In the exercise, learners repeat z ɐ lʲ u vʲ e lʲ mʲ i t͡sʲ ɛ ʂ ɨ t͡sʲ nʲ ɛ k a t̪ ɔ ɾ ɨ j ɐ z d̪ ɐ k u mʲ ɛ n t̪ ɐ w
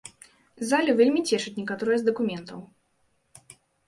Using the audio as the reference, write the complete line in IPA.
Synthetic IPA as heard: z a lʲ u vʲ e lʲ mʲ i t͡sʲ ɛ ʂ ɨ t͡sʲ nʲ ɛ k a t̪ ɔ ɾ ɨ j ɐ z d̪ ɐ k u mʲ ɛ n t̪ ɐ w

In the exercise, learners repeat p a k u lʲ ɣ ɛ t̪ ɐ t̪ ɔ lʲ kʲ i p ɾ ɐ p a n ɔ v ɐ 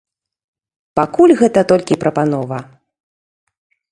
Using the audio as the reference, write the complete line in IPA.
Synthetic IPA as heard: p a k u lʲ ɣ ɛ t̪ ɐ t̪ ɔ lʲ kʲ i p ɾ ɐ p a n ɔ v ɐ

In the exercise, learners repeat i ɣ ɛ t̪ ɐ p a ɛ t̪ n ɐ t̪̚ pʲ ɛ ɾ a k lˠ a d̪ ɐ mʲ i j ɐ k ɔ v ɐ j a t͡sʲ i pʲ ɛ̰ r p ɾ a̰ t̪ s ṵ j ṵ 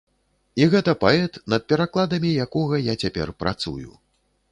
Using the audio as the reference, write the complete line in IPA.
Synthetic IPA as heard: i ɣ ɛ t̪ ɐ p a ɛ t̪ n ɐ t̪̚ pʲ ɛ ɾ a k lˠ a d̪ ɐ mʲ i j a k ɔ ɣ ɐ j a t͡sʲ a pʲ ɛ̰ r p ɾ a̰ t̪ s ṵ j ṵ

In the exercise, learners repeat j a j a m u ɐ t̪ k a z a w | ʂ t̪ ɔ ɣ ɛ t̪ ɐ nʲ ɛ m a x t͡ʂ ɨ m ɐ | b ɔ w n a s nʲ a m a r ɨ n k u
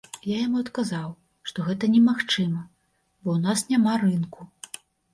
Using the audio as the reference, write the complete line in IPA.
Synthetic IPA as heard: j a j a m u ɐ t̪ k a z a w | ʂ t̪ ɔ ɣ ɛ t̪ ɐ nʲ ɛ m a x t͡ʂ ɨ m ɐ | b ɔ w n a s nʲ a m a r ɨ n k u

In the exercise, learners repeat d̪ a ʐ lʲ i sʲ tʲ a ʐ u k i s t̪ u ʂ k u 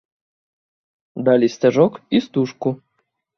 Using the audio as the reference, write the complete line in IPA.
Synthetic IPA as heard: d̪ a lʲ i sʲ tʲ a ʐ ɔ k i s t̪ u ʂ k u

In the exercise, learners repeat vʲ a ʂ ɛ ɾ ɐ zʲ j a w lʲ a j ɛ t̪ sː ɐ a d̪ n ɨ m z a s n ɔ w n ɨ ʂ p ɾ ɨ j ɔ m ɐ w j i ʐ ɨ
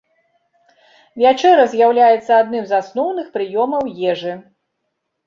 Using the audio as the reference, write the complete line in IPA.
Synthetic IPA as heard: vʲ a t͡ʂ ɛ ɾ ɐ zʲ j a w lʲ a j ɛ t̪ sː ɐ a d̪ n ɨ m z a s n ɔ w n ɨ x p ɾ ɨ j ɔ m ɐ w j ɛ ʐ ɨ

